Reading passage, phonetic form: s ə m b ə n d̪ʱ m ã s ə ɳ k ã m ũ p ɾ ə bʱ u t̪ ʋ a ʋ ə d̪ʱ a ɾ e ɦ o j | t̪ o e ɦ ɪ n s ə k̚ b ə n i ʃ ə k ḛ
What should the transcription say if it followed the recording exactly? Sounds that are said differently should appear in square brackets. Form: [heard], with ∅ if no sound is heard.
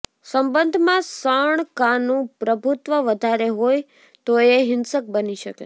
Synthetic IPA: s ə m b ə n d̪ʱ m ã s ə ɳ k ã [n] ũ p ɾ ə bʱ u t̪ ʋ [ə] ʋ ə d̪ʱ a ɾ e ɦ o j | t̪ o e ɦ ɪ n s ə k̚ b ə n i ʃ ə k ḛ